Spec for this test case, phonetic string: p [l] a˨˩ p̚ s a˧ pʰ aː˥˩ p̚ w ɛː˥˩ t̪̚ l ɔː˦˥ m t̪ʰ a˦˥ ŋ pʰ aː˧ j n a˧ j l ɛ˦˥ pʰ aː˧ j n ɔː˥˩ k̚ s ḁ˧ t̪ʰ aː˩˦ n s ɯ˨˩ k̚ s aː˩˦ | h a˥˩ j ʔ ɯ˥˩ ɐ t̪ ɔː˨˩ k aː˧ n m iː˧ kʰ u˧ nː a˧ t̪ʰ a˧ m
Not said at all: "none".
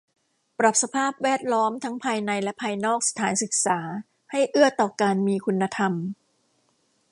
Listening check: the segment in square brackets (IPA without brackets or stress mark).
ɾ